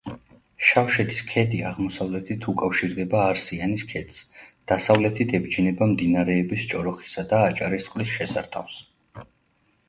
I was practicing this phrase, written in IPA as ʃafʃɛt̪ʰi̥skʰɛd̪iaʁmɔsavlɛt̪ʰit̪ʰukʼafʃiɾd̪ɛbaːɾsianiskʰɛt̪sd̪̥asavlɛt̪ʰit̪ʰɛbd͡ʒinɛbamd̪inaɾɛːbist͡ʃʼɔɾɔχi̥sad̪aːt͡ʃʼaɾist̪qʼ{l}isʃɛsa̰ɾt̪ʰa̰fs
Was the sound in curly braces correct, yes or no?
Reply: yes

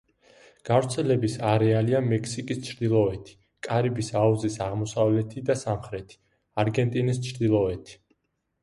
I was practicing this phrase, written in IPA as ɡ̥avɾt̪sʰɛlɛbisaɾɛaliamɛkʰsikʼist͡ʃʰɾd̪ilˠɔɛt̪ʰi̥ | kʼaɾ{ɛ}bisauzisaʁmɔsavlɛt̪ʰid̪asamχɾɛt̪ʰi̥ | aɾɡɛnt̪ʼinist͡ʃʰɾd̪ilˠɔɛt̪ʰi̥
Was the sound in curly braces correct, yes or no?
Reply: no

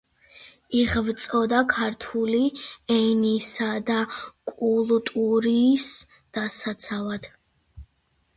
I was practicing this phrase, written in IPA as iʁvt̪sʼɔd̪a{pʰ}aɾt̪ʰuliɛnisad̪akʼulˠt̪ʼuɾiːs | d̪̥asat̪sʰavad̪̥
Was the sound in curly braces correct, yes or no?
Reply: no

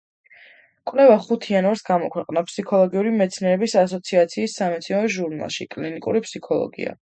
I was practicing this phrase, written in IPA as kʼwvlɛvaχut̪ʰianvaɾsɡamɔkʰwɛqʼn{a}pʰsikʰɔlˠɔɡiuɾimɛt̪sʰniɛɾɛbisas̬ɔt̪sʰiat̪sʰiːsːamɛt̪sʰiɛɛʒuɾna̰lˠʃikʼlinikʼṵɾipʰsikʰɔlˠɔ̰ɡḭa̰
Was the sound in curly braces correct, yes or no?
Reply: yes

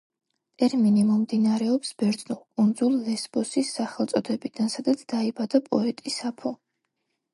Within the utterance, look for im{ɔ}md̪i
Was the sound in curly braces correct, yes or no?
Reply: yes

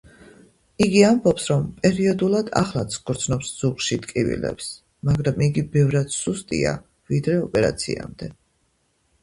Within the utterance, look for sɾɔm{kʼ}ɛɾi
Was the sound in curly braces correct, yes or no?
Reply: no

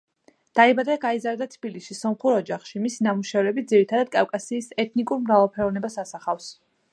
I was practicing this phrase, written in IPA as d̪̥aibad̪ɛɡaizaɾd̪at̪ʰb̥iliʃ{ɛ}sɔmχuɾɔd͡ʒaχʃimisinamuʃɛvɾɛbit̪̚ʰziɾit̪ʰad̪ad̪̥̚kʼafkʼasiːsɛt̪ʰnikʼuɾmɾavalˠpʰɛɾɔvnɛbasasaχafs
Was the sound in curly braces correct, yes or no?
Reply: no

